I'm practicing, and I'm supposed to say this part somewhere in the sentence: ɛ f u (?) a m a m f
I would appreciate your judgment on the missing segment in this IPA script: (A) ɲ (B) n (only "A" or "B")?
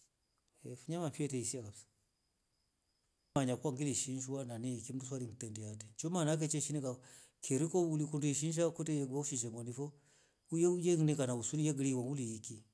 A